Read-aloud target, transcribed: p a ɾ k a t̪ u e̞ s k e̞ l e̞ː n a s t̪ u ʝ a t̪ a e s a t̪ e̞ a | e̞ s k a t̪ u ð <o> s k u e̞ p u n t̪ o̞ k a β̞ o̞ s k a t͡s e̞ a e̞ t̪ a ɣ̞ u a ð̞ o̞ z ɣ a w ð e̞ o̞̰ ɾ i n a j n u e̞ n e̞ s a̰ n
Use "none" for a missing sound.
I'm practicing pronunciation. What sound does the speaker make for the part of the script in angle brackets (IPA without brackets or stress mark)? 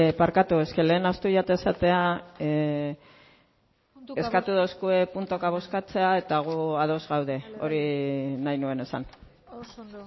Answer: o